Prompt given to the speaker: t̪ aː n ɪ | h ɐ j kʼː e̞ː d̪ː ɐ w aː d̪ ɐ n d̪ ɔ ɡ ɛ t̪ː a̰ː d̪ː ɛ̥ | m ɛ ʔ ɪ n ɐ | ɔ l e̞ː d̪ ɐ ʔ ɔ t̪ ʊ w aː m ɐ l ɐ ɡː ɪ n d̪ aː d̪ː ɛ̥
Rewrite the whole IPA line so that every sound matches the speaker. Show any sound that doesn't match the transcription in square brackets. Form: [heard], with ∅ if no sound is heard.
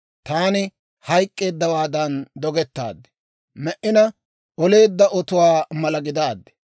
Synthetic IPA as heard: t̪ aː n ɪ | h ɐ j kʼː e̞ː d̪ː ɐ w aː d̪ ɐ n d̪ ɔ ɡ ɛ t̪ː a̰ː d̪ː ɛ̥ | m ɛ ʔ ɪ n ɐ | ɔ l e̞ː [d̪ː] ɐ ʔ ɔ t̪ ʊ w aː m ɐ l ɐ [ɡ] ɪ [∅] d̪ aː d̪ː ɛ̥